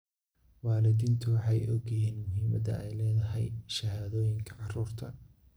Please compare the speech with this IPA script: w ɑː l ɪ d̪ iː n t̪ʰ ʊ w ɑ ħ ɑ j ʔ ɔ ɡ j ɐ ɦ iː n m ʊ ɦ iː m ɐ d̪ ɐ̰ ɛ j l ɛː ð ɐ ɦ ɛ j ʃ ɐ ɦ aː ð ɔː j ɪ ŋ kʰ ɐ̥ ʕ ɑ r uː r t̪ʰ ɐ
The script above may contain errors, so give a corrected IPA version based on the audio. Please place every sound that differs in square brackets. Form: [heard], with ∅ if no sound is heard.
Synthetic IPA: w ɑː l ɪ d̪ iː n t̪ʰ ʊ w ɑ ħ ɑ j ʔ ɔ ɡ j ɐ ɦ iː n m ʊ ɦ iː m ɐ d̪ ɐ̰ ɛ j l ɛː ð ɐ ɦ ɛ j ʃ ɐ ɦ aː ð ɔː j ɪ ŋ kʰ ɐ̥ ʕ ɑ r uː r t̪ʰ ɐ